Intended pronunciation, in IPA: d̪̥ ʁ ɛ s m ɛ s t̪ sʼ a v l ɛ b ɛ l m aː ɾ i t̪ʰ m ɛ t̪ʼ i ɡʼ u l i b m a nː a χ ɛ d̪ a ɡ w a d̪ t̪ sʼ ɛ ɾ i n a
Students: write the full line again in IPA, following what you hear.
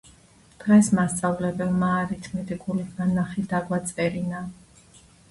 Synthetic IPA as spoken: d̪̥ ʁ ɛ s m a s t̪ sʼ a v l ɛ b ɛ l m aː ɾ i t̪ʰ m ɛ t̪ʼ i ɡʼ u l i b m a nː a χ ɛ d̪ a ɡ w a t̪ sʼ ɛ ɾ i n a